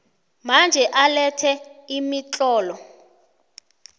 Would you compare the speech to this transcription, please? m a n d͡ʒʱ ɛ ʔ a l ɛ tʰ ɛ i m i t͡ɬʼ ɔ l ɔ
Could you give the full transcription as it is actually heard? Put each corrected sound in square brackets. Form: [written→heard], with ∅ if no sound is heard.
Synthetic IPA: m a n d͡ʒʱ ɛ ʔ a l ɛ tʰ ɛ i m i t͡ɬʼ [ɔ→ɔː] l ɔ